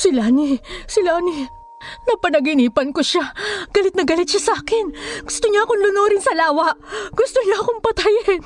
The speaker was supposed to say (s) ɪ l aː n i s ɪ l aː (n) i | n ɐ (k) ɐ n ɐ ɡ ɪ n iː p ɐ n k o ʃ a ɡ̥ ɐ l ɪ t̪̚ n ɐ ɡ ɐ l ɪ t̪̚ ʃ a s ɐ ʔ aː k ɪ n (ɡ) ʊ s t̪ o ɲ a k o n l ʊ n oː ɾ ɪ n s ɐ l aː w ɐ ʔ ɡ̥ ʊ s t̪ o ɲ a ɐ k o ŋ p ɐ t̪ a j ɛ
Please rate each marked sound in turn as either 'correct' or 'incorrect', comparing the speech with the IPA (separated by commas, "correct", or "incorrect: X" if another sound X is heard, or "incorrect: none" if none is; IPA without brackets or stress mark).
correct, correct, incorrect: p, correct